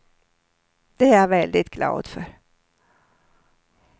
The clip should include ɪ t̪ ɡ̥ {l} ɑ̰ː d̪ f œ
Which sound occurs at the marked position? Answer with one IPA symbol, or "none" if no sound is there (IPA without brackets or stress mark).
l